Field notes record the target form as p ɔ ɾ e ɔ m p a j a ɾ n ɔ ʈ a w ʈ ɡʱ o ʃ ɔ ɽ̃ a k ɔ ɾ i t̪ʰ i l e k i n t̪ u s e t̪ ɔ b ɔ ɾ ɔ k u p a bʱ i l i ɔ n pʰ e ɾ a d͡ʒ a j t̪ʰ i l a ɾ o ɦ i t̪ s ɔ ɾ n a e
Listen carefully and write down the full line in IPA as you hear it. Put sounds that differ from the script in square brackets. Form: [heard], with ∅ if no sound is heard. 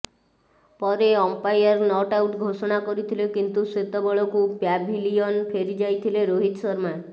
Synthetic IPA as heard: p ɔ ɾ e ɔ m p a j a ɾ n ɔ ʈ a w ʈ ɡʱ o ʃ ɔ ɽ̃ a k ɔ ɾ i t̪ʰ i l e k i n t̪ u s e t̪ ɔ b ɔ [ɭ] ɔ k u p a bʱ i l i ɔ n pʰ e ɾ [i] d͡ʒ a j t̪ʰ i l [e] ɾ o ɦ i t̪ s ɔ ɾ [m] a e

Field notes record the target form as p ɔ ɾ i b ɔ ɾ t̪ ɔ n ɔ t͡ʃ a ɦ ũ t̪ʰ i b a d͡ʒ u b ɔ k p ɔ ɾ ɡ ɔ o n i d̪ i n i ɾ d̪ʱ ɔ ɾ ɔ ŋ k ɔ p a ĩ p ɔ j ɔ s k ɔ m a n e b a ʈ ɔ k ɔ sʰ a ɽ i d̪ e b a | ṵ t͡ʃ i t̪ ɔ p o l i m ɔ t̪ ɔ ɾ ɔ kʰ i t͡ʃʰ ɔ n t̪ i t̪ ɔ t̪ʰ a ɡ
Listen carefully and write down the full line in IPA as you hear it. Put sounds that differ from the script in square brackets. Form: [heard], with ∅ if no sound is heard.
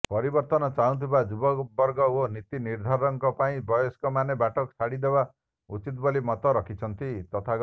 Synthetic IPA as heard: p ɔ ɾ i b ɔ ɾ t̪ ɔ n ɔ t͡ʃ a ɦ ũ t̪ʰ i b a d͡ʒ u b ɔ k [b] ɔ ɾ ɡ ɔ o n i [t̪] i n i ɾ d̪ʱ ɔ ɾ ɔ ŋ k ɔ p a ĩ [b] ɔ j ɔ s k ɔ m a n e b a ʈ ɔ k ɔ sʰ a ɽ i d̪ e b a | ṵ t͡ʃ i t̪ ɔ [b] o l i m ɔ t̪ ɔ ɾ ɔ kʰ i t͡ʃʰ ɔ n t̪ i t̪ ɔ t̪ʰ a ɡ

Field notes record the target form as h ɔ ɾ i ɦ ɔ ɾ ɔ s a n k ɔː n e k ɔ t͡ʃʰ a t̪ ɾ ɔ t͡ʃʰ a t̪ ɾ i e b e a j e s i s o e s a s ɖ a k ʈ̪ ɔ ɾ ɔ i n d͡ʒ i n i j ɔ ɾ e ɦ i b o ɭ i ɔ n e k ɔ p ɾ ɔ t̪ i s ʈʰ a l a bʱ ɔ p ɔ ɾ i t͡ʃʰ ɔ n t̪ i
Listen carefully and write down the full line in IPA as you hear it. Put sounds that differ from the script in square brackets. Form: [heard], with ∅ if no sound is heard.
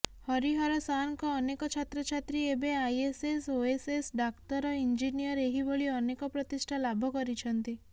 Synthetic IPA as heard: h ɔ ɾ i ɦ ɔ ɾ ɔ s a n k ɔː n e k ɔ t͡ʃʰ a t̪ ɾ ɔ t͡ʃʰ a t̪ ɾ i e b e a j e s [e] s o e s [e] s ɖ a k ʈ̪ ɔ ɾ ɔ i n d͡ʒ i n i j ɔ ɾ e ɦ i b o ɭ i ɔ n e k ɔ p ɾ ɔ t̪ i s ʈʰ a l a bʱ ɔ [k] ɔ ɾ i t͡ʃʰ ɔ n t̪ i

